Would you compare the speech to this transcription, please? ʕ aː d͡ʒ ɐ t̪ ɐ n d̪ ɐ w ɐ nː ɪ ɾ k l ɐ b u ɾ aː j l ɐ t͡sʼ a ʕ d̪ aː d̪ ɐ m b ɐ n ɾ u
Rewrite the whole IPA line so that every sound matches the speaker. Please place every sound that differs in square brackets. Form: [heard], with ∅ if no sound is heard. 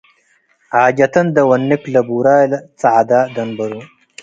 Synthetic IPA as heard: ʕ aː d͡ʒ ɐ t̪ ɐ n d̪ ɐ w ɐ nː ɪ [∅] k l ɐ b u ɾ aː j l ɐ [t͡s] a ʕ d̪ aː d̪ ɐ [n] b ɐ [∅] ɾ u